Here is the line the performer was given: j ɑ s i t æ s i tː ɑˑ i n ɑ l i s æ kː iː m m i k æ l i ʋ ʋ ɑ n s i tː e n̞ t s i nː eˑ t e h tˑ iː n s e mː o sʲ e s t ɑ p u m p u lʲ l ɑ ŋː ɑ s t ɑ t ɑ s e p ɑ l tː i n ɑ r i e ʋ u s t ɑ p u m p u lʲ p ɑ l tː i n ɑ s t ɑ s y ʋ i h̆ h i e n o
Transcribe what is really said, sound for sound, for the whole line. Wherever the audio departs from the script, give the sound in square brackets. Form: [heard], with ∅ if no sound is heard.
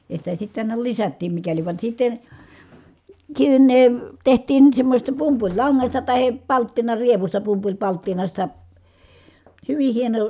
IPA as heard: j ɑ s i t æ s i tː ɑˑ i n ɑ l i s æ [tː] iː m m i k æ l i ʋ ʋ ɑ n s i tː e n̞ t s i nː eˑ t e h tˑ iː n s e mː o sʲ e s t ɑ p u m p u lʲ l ɑ ŋː ɑ s t ɑ t ɑ [h] e p ɑ l tː i n ɑ r i e ʋ u s t ɑ p u m p u lʲ p ɑ l tː i n ɑ s t ɑ [h] y ʋ i h̆ h i e n o